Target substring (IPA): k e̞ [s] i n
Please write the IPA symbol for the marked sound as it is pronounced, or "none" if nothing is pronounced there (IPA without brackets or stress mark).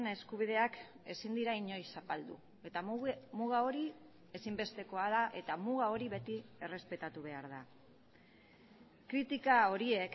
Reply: s